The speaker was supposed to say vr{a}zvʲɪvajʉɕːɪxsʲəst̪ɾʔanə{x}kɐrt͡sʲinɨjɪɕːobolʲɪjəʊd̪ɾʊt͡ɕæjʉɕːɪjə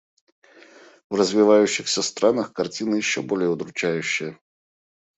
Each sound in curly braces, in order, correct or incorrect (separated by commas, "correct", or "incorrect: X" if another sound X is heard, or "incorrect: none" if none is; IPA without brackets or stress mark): incorrect: ə, correct